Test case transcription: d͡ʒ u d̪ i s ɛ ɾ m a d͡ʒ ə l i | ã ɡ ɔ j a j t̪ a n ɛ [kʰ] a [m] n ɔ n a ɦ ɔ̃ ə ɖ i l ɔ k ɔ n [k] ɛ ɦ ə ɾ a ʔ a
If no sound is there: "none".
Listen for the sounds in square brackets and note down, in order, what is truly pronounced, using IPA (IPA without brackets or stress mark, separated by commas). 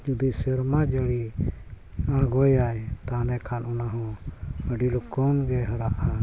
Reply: kʰ, none, ɡ